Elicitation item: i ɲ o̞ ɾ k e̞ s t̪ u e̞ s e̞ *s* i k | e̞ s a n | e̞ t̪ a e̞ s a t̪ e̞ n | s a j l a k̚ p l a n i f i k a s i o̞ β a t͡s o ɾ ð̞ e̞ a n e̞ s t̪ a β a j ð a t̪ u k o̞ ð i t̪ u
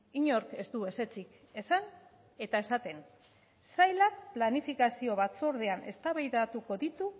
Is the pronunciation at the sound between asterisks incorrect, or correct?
incorrect